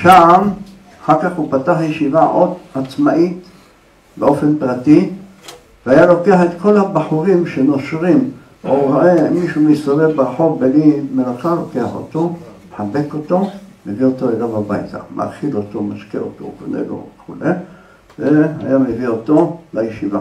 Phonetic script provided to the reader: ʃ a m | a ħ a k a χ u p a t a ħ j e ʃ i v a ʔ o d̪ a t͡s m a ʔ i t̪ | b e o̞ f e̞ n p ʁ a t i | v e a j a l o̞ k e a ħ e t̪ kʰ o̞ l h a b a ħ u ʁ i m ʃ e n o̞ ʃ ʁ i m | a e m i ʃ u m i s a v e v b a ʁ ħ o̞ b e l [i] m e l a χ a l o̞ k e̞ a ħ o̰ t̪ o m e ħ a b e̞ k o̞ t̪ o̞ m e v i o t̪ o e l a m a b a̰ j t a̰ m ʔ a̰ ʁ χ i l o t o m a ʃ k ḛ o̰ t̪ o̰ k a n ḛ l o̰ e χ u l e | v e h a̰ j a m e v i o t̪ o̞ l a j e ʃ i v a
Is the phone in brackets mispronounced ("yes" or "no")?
no